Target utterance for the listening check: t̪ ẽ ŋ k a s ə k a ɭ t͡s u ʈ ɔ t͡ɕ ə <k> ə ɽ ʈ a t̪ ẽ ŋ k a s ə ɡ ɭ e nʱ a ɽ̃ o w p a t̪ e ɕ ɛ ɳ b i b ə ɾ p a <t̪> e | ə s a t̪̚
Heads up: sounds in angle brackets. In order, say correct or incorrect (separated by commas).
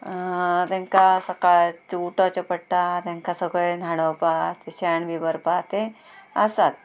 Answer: incorrect, correct